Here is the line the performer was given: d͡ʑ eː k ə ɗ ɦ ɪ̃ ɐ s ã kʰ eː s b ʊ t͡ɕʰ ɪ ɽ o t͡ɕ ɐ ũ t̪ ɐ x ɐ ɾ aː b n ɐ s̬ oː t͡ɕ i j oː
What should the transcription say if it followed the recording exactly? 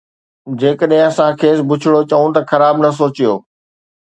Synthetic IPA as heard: d͡ʑ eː k ə ɗ ɦ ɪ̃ ɐ s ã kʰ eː s b ʊ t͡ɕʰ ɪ ɽ o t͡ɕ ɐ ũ t̪ ɐ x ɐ ɾ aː b n ɐ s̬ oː t͡ɕ i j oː